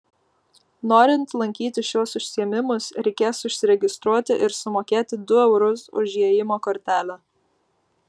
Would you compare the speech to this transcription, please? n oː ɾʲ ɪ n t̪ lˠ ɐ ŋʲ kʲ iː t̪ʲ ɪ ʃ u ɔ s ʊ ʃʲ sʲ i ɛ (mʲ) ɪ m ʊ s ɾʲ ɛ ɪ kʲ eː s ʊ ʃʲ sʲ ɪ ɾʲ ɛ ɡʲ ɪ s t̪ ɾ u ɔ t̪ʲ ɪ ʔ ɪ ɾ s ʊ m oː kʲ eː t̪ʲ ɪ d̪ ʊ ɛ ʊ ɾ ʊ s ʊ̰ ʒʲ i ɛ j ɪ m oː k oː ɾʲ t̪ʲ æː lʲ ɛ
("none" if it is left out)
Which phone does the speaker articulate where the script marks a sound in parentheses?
mʲ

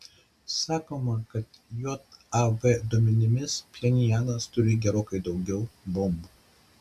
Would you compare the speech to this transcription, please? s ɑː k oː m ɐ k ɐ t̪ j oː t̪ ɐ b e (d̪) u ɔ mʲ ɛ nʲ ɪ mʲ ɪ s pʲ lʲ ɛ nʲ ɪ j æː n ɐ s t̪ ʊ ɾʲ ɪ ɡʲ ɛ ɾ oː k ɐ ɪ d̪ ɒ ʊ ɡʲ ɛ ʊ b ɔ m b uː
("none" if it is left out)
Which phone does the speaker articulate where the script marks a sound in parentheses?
d̪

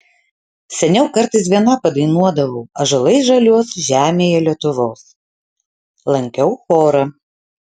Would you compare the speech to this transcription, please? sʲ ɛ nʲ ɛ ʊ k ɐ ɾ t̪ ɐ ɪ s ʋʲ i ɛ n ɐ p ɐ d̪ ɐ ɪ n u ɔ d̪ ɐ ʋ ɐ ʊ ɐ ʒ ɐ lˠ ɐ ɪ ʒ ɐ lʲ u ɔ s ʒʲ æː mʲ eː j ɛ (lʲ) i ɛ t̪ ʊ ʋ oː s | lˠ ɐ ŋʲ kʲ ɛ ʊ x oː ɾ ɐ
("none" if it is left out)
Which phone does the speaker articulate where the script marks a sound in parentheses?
lʲ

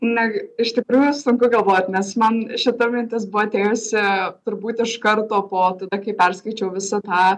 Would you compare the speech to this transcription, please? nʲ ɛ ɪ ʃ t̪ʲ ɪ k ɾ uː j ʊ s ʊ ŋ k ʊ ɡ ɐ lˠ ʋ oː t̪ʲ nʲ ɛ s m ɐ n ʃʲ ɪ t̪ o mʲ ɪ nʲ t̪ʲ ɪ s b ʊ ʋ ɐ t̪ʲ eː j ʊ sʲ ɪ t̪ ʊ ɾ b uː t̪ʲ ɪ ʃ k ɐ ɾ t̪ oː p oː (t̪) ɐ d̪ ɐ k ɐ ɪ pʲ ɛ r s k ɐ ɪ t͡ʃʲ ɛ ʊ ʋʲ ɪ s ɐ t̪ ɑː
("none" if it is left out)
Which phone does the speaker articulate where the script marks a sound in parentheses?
t̪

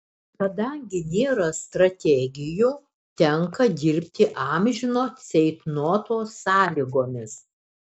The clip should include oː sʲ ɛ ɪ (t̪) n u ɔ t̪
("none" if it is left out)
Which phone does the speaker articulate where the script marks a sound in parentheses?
t̪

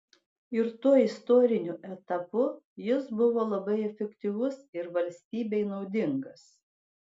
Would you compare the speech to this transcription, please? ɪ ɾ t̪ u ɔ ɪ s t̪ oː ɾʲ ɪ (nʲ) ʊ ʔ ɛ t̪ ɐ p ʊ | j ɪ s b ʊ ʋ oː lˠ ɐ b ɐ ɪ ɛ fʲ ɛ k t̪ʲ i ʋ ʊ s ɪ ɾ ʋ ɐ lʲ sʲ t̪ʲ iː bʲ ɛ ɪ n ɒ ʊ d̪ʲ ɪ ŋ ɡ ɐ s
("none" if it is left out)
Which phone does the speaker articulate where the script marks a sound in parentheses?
nʲ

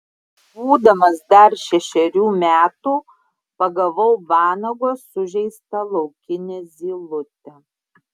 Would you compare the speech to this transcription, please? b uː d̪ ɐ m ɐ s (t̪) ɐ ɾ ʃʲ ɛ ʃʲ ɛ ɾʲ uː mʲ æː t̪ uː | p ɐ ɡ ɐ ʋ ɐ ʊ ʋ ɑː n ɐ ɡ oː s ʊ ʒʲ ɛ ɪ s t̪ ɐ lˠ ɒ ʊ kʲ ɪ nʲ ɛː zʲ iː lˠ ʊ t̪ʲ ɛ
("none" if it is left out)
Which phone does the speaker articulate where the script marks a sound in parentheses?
d̪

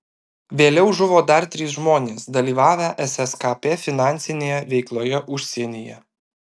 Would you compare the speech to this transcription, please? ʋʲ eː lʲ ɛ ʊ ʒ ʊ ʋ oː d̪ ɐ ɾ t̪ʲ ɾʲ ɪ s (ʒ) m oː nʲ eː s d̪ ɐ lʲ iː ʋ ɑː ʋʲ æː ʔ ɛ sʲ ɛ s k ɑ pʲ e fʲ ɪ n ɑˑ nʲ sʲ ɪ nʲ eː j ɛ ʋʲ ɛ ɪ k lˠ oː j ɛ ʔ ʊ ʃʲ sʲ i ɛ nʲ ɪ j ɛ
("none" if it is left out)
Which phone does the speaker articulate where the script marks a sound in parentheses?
ʒ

